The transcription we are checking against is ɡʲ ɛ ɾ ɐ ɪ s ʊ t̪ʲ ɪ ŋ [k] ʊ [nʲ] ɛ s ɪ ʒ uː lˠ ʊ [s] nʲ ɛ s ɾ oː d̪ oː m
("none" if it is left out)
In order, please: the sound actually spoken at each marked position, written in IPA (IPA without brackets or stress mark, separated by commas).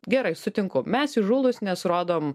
k, mʲ, s